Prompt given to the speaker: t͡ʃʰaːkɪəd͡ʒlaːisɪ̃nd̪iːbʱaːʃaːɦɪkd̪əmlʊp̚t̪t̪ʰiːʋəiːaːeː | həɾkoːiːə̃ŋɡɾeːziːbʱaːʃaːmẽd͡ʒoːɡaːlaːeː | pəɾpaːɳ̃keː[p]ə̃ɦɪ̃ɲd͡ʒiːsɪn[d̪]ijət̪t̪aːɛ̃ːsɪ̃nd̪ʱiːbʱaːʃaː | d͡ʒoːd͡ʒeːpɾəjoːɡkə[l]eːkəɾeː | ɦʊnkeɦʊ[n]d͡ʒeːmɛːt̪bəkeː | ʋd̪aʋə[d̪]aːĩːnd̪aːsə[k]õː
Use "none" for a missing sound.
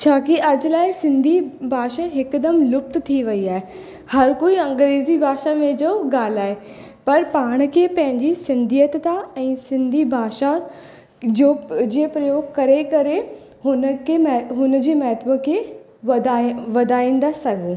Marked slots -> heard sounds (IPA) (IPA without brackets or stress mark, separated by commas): p, d̪, ɾ, n, d̪, ɡ